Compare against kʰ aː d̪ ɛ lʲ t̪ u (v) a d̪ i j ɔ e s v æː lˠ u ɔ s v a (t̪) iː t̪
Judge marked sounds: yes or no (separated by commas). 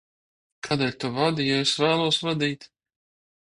yes, no